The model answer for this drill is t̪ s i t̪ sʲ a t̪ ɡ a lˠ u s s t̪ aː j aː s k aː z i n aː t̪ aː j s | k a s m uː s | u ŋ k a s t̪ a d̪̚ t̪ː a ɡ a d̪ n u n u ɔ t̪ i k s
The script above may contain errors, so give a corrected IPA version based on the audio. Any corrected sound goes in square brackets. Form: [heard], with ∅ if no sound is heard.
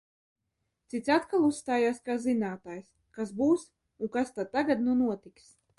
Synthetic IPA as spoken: t̪ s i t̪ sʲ a t̪ [k] a lˠ u s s t̪ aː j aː s k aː z i n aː t̪ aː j s | k a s [b] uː s | u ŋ k a s t̪ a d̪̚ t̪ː a ɡ a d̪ n u n u ɔ t̪ i k s